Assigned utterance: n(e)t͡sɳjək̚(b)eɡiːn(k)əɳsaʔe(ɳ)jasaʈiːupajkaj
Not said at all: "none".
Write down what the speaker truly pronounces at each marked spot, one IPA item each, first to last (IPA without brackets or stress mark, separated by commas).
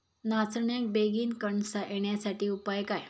a, b, k, ɳ